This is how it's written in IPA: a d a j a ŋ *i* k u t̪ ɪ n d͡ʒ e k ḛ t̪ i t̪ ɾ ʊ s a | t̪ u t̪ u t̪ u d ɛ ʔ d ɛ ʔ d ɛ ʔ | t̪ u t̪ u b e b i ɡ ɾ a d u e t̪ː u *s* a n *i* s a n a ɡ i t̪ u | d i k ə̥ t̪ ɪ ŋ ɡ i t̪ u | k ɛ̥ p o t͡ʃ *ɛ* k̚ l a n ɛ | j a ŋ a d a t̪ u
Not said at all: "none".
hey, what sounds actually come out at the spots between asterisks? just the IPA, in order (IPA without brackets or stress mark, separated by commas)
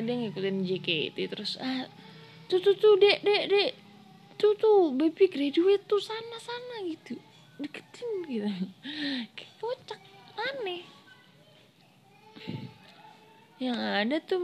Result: i, s, a, a